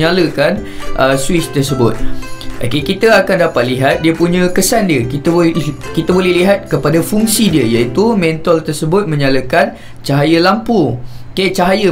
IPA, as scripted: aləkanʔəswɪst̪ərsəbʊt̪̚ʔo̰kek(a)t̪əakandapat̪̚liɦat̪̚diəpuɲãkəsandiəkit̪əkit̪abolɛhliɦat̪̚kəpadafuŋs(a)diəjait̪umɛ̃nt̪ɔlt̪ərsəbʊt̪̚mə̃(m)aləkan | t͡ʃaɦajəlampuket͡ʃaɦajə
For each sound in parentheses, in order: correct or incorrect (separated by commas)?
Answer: incorrect, incorrect, incorrect